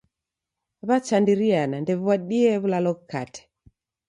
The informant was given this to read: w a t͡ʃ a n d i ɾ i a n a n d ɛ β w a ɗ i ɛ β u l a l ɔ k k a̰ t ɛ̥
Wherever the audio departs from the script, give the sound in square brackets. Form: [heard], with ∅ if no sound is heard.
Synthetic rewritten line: [β] a t͡ʃ a n d i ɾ i a n a n d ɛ β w a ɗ i ɛ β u l a l ɔ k k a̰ t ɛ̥